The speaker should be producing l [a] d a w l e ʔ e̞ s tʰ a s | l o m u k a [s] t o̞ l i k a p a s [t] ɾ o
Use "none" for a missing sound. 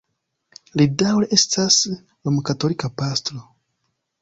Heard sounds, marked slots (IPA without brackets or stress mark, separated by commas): i, none, t